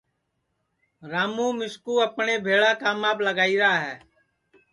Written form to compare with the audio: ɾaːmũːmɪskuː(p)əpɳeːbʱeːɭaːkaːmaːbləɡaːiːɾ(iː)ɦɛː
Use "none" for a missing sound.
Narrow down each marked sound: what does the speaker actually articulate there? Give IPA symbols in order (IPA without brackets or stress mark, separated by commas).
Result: none, aː